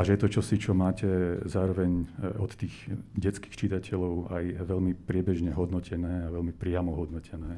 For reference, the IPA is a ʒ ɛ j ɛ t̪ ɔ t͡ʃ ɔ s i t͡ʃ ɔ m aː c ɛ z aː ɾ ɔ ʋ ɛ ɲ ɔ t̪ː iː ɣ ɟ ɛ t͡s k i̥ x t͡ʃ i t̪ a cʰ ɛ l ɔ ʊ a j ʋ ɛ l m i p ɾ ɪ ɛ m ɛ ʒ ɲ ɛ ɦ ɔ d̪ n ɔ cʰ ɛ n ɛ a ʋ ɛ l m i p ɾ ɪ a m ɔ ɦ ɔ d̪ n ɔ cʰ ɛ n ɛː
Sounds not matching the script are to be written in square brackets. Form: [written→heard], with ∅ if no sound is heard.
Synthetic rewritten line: a ʒ ɛ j ɛ t̪ ɔ t͡ʃ ɔ s i t͡ʃ ɔ m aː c ɛ z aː ɾ ɔ ʋ ɛ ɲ ɔ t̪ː iː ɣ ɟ ɛ t͡s k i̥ x t͡ʃ i t̪ a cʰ ɛ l ɔ ʊ a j ʋ ɛ l m i p ɾ ɪ ɛ [m→b] ɛ ʒ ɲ ɛ ɦ ɔ d̪ n ɔ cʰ ɛ n [ɛ→ɛː] a ʋ ɛ l m i p ɾ ɪ a m ɔ ɦ ɔ d̪ n ɔ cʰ ɛ n ɛː